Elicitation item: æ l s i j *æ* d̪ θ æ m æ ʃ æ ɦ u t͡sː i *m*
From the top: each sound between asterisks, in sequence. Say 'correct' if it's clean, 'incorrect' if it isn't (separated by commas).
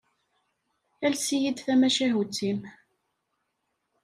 incorrect, correct